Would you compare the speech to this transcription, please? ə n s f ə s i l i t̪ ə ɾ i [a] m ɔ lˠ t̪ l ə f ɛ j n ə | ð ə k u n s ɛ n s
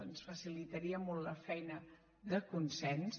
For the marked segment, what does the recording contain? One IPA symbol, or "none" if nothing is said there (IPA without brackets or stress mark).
ə